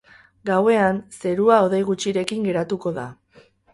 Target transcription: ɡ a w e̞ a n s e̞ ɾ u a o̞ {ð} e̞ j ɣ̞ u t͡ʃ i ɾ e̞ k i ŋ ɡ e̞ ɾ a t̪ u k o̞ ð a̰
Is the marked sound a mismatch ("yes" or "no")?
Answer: no